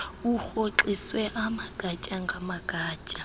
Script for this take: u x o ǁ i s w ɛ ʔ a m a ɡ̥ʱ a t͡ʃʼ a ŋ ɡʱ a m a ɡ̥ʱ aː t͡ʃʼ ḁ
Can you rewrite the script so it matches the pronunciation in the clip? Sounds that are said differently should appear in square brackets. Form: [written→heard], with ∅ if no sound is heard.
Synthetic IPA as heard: u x o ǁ i s w ɛ ʔ a m a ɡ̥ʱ a t͡ʃʼ a ŋ ɡʱ a m a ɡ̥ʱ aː t͡ʃʼ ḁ